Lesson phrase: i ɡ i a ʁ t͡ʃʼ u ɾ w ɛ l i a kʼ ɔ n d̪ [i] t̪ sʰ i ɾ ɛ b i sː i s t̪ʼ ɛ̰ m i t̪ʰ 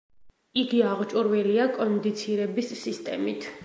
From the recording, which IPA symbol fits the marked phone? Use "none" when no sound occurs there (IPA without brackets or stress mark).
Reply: i